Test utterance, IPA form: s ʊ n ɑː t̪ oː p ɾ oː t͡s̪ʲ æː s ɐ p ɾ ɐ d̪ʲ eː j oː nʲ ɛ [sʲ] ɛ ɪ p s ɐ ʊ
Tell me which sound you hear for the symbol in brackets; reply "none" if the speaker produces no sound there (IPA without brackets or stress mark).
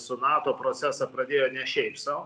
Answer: ʃʲ